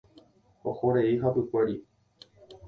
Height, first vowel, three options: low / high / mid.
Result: mid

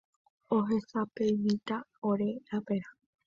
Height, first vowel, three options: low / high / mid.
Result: mid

